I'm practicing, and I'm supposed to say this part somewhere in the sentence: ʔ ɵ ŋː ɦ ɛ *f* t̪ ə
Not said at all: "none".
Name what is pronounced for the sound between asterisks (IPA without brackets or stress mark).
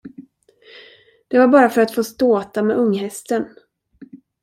s